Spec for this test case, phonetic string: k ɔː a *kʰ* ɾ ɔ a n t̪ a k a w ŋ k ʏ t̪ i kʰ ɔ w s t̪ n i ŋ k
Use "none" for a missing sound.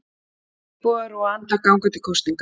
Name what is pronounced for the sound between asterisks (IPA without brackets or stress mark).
none